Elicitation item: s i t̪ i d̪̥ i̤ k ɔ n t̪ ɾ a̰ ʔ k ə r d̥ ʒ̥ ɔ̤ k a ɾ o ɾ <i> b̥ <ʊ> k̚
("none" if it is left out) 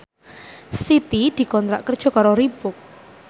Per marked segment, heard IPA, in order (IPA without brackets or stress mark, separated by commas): i, ʊ